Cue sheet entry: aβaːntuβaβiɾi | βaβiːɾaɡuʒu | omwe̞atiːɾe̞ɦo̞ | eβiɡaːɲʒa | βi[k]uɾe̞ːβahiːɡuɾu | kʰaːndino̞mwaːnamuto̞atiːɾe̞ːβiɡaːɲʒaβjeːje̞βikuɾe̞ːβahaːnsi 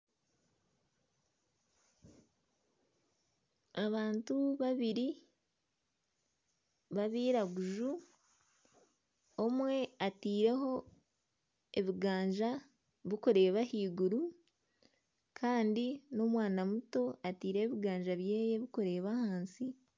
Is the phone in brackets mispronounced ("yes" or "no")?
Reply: no